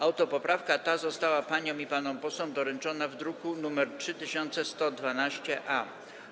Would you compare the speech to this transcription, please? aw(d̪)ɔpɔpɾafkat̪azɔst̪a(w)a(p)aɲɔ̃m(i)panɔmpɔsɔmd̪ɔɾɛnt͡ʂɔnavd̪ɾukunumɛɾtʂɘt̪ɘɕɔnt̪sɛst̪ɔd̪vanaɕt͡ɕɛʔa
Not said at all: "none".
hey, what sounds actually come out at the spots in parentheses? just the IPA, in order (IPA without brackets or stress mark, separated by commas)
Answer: t̪, w, p, i